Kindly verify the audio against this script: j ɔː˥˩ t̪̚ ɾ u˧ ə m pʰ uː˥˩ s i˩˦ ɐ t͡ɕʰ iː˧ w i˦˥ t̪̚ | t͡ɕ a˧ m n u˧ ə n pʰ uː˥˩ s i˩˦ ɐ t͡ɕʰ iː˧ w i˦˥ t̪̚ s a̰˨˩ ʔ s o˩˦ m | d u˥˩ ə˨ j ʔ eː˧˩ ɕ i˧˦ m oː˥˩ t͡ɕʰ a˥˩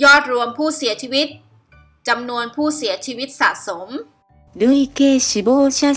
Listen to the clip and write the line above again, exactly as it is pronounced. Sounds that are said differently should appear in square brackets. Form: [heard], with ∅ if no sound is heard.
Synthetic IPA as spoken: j ɔː˥˩ t̪̚ ɾ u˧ ə m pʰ uː˥˩ s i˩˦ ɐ t͡ɕʰ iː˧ w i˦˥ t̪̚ | t͡ɕ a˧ m n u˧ ə n pʰ uː˥˩ s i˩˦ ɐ t͡ɕʰ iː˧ w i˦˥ t̪̚ s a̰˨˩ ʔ s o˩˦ m | d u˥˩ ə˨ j [k] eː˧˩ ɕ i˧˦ [b] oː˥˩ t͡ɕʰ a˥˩